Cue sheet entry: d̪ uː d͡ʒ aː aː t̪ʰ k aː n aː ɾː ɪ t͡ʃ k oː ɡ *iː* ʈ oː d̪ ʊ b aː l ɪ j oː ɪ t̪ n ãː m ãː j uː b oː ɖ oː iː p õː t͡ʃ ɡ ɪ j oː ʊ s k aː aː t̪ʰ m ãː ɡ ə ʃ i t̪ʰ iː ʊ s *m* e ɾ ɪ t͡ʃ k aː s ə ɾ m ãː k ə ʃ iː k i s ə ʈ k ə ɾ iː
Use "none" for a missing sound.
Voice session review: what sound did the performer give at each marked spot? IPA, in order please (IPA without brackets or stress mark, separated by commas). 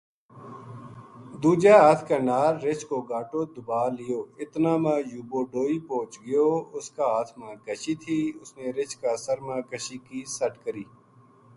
aː, n